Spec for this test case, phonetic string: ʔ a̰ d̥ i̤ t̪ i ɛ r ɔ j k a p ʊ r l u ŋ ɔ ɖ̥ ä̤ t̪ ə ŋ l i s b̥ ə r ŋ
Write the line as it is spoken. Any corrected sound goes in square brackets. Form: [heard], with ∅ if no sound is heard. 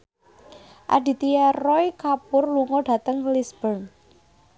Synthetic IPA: ʔ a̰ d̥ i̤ t̪ i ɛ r ɔ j k a p ʊ r l u ŋ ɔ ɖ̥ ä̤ t̪ ə ŋ l i s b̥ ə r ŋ